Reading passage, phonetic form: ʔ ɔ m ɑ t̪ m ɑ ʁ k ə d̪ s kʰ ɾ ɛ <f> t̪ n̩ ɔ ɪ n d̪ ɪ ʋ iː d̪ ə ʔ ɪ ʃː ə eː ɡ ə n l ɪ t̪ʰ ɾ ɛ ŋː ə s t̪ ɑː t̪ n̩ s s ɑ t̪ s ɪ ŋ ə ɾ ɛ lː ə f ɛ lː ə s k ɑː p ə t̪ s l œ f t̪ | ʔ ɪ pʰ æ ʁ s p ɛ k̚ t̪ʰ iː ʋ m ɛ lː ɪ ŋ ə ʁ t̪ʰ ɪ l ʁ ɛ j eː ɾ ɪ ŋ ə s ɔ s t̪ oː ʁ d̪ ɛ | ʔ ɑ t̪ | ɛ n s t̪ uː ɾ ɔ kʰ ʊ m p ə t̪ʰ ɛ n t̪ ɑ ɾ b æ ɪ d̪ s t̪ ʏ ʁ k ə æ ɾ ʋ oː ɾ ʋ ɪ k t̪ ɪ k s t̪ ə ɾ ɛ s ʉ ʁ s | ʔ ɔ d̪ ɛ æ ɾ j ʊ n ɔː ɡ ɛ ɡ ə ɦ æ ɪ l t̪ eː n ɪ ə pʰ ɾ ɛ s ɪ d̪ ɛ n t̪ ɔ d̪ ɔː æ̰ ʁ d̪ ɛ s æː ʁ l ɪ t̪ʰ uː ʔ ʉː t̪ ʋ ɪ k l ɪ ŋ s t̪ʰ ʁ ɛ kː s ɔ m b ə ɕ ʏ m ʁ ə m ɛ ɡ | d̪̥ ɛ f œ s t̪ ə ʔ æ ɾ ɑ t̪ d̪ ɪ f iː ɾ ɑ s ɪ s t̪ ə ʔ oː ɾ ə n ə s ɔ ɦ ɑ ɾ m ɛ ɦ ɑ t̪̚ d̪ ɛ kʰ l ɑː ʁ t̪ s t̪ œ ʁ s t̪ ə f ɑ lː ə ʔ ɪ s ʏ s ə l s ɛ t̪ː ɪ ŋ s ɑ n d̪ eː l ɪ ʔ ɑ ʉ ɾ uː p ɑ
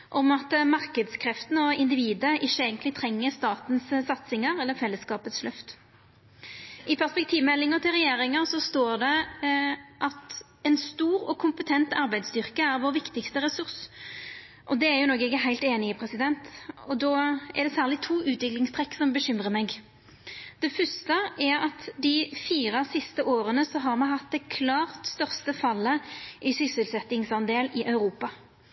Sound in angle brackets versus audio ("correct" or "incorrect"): correct